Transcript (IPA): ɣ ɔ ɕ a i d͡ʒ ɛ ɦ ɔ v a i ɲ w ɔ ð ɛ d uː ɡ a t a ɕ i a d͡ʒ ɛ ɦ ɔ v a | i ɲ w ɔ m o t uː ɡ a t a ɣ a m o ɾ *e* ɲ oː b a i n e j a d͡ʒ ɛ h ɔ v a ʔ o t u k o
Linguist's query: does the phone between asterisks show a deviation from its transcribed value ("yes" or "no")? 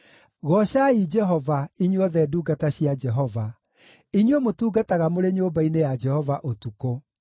no